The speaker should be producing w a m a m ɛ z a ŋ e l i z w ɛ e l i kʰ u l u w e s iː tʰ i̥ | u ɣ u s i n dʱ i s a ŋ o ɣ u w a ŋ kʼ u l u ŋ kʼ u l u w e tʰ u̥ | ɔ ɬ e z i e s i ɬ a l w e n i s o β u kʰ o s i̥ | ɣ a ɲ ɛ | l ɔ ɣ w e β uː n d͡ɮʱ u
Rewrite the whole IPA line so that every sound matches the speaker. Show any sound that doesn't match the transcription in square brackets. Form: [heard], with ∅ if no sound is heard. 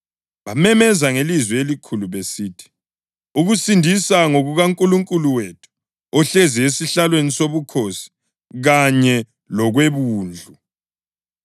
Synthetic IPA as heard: [β] a m [ɛ] m ɛ z a ŋ e l i z w ɛ e l i kʰ u l u [β] e s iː tʰ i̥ | u ɣ u s i n dʱ i s a ŋ o ɣ u [ɣ] a ŋ kʼ u l u ŋ kʼ u l u w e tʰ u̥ | ɔ ɬ e z i e s i ɬ a l w e n i s o β u kʰ o s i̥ | ɣ a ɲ ɛ | l ɔ ɣ w e β uː n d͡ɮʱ u